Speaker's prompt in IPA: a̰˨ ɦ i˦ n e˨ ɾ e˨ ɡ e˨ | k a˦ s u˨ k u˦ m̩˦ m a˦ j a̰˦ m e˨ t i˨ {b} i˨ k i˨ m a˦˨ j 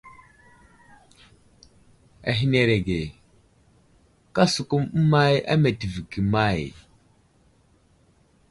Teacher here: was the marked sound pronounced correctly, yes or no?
no